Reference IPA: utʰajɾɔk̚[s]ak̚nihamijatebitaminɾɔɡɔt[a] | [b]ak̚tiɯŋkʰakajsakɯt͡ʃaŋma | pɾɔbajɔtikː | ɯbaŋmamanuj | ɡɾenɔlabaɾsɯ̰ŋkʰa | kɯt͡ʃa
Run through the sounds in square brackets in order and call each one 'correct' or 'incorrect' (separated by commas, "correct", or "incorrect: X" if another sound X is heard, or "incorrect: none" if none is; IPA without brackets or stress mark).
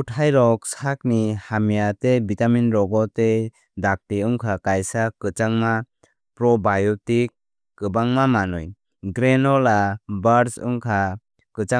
correct, incorrect: e, incorrect: d